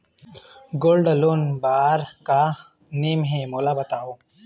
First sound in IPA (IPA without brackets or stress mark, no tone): ɡ